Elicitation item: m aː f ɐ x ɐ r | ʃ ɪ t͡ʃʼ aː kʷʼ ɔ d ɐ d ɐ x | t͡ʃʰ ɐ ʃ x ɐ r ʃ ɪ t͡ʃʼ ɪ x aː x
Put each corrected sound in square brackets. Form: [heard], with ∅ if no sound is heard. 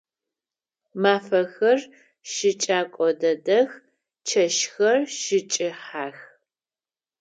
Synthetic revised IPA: m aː f ɐ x ɐ r | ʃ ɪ t͡ʃʼ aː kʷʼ ɔ d ɐ d ɐ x | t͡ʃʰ ɐ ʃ x ɐ r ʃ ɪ t͡ʃʼ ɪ [ħ] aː x